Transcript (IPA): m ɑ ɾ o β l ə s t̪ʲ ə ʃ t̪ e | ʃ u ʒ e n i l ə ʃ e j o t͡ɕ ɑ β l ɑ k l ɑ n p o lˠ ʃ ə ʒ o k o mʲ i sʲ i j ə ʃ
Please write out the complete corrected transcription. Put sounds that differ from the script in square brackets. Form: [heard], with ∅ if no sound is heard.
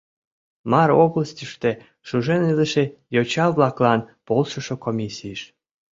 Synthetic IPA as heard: m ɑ ɾ o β l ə s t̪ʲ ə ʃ t̪ e | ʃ u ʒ e n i l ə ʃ e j o t͡ɕ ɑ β l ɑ k l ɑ n p o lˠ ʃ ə [ʃ] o k o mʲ i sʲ i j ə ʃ